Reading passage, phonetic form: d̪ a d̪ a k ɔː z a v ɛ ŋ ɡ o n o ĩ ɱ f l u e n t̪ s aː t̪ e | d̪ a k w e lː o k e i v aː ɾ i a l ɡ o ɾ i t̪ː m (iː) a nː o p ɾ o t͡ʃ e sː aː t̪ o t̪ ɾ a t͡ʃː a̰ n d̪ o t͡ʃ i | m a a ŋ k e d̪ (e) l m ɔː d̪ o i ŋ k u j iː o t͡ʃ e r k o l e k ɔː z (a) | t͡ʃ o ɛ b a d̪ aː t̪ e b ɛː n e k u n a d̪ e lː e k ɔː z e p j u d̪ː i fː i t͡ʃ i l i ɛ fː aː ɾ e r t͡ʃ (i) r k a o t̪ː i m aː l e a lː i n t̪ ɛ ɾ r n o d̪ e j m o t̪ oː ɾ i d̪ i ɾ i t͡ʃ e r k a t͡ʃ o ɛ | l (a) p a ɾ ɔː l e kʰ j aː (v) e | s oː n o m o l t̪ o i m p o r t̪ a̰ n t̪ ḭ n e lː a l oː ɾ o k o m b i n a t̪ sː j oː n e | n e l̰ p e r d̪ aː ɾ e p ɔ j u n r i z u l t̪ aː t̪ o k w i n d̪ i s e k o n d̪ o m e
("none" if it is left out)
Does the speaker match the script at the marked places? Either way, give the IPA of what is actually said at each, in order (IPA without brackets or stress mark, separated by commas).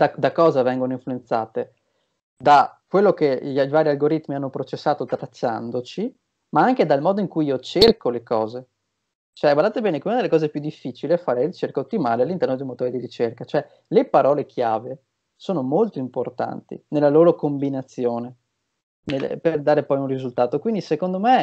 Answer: i, a, e, e, e, v